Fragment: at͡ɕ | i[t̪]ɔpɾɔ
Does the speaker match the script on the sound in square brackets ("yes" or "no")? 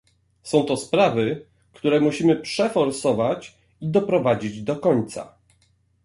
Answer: no